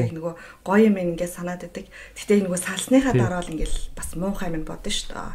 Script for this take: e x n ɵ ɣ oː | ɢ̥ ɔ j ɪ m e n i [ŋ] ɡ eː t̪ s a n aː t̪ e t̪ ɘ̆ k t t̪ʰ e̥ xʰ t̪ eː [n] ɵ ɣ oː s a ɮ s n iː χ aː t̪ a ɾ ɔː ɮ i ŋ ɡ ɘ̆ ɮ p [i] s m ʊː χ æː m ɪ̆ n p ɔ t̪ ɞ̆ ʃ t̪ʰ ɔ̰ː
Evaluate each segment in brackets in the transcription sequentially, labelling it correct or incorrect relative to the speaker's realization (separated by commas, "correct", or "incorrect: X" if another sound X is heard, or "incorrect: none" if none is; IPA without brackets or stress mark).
correct, correct, incorrect: a